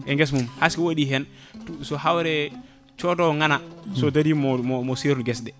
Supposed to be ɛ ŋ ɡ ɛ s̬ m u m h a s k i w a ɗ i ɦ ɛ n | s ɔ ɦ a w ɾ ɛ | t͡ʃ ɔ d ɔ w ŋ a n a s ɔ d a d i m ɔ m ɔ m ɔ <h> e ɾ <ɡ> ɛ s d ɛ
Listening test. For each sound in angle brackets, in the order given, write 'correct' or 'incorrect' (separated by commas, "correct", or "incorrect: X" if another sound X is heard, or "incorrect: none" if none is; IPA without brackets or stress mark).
incorrect: s, correct